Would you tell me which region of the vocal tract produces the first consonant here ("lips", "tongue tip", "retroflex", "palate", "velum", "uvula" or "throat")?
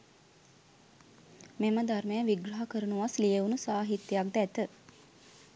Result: lips